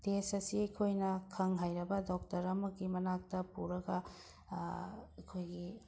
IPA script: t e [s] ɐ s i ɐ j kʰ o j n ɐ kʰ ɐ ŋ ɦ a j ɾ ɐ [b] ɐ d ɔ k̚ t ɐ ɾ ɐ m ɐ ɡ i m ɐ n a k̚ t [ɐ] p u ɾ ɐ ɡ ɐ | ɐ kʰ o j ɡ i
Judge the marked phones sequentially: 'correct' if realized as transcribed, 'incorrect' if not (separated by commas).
correct, correct, correct